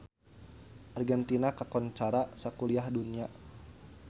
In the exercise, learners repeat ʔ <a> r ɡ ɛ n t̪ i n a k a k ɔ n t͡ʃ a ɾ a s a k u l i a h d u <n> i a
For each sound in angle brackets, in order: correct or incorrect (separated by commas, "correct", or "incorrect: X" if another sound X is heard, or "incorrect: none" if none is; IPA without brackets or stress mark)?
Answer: correct, correct